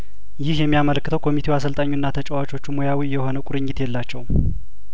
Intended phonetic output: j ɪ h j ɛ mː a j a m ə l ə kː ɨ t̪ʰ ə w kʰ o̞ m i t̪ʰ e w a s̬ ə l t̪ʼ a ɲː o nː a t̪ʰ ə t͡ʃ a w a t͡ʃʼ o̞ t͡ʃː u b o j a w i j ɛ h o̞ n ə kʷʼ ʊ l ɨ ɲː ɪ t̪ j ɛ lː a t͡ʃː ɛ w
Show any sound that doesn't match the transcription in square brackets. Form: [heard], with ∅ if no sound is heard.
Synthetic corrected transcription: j ɪ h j ɛ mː [i] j a m ə l ə kː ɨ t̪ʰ ə w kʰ o̞ m i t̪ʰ e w a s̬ ə l t̪ʼ a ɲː [u] nː a t̪ʰ ə [t͡ʃʼ] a w a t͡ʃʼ o̞ t͡ʃː u [m] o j a w i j ɛ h o̞ n ə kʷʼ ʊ [ɾ] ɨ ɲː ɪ t̪ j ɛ lː a t͡ʃː ɛ w